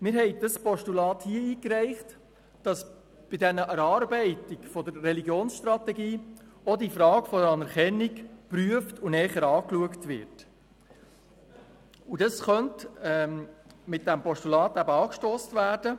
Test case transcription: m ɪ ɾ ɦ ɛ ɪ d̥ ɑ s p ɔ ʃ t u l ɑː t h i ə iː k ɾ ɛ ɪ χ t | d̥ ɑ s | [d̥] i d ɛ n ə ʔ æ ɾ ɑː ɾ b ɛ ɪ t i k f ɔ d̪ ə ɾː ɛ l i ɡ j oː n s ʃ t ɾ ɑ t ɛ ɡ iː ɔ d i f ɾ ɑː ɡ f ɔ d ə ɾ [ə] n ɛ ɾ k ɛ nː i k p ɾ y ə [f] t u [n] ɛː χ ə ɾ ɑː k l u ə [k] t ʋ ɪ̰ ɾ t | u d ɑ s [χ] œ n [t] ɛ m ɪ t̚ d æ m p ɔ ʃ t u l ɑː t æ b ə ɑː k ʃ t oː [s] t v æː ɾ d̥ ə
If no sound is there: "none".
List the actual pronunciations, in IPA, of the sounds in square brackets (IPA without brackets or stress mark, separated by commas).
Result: b̥, ɑ, f, n, k, χ, t, s